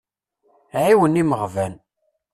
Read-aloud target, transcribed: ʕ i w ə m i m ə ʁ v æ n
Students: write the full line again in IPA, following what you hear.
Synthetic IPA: ʕ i w ə n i m ə ʁ v æ n